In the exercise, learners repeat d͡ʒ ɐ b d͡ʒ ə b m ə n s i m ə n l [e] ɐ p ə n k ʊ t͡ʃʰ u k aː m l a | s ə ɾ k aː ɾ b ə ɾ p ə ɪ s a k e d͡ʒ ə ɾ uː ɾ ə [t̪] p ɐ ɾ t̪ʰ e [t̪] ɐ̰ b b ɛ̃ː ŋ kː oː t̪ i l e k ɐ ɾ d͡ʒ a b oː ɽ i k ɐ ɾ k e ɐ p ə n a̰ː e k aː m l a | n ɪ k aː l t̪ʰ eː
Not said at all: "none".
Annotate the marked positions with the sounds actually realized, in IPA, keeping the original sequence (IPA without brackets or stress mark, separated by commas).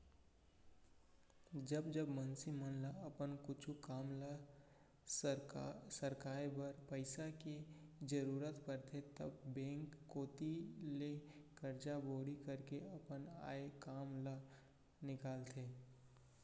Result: a, t̪, t̪